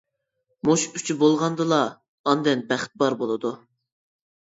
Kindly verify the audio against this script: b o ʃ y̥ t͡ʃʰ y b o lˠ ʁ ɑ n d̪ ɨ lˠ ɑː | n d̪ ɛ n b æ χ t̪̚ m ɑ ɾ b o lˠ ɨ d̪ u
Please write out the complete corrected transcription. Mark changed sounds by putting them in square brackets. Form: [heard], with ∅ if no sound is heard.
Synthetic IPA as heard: [m] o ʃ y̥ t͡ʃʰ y b o lˠ ʁ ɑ n d̪ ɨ lˠ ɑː | n d̪ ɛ n b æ χ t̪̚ [b] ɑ ɾ b o lˠ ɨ d̪ u